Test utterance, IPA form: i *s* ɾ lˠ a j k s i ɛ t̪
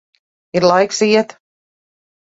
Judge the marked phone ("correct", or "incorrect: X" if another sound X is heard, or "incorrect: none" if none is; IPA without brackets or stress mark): incorrect: none